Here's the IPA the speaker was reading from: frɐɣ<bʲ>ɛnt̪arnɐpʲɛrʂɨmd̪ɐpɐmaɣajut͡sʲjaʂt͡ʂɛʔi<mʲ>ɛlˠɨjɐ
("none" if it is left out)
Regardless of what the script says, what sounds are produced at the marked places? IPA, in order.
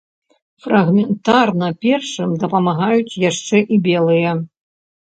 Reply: mʲ, bʲ

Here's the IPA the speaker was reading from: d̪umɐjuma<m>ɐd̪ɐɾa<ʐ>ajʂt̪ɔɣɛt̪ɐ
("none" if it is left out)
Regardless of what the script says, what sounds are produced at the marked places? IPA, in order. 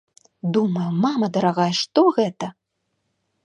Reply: m, ɣ

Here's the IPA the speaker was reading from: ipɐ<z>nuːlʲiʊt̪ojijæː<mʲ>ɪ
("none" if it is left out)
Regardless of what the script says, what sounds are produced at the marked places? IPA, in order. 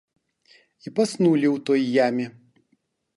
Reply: s, mʲ

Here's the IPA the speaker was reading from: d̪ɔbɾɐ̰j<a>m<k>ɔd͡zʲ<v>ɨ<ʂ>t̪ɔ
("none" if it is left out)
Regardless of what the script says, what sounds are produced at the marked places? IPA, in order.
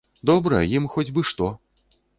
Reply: i, x, b, ʂ

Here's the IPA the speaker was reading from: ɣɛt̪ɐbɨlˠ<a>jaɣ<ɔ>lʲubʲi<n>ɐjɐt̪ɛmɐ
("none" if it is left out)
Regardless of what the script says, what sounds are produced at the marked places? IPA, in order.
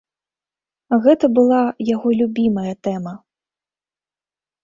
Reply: a, ɔ, m

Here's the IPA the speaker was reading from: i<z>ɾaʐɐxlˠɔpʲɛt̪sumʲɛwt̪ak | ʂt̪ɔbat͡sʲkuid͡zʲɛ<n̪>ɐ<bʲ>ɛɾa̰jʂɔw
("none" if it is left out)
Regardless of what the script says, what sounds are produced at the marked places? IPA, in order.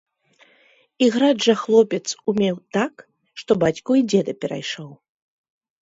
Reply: ɣ, d̪, pʲ

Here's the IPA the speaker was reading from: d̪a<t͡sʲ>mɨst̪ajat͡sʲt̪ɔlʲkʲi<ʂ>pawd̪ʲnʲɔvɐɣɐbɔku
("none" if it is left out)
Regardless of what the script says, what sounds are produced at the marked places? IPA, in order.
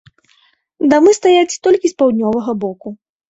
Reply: none, s

